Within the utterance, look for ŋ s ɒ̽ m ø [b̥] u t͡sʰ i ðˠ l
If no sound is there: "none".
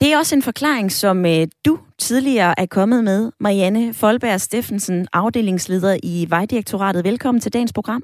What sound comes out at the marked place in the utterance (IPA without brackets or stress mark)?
d̥